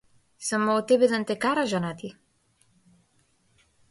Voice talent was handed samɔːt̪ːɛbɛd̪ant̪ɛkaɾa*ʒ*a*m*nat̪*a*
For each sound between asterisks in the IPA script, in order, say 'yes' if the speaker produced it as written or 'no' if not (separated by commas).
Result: yes, no, no